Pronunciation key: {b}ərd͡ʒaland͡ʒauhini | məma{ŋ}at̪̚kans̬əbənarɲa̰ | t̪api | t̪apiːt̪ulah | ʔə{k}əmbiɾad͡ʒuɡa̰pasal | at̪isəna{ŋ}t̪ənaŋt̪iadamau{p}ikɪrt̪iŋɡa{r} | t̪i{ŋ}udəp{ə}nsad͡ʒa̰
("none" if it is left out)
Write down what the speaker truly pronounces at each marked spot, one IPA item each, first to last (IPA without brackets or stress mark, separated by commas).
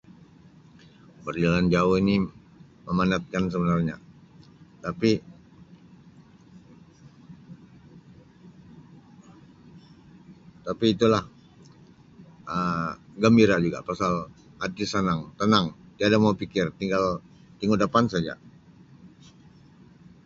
b, n, ɡ, ŋ, p, l, ŋ, a